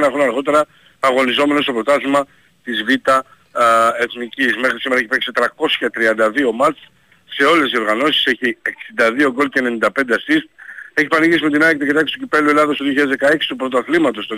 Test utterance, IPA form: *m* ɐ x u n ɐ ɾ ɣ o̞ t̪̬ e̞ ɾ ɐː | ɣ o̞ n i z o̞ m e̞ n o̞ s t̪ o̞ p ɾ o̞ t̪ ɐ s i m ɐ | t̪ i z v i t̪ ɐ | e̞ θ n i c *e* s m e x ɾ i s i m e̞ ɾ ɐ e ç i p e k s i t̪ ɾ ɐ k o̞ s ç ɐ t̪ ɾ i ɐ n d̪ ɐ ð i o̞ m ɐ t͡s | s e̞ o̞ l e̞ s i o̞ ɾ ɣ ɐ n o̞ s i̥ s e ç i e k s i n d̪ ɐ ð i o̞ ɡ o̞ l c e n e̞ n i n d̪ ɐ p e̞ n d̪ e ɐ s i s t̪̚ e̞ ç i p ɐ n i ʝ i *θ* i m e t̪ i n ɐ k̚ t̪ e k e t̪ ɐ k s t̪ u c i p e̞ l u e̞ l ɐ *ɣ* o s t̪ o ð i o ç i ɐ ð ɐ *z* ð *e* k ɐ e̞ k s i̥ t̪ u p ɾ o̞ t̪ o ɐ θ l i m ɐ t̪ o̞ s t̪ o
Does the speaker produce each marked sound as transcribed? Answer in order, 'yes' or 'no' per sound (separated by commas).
no, no, no, no, yes, yes